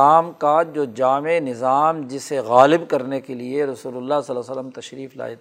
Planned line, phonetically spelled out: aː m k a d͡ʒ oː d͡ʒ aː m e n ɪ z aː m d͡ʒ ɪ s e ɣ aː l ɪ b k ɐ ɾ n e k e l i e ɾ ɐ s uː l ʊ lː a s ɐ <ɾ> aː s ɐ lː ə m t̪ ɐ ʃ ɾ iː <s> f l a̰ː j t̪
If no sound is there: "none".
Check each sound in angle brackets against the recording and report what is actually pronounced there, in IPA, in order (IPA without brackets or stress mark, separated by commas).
l, none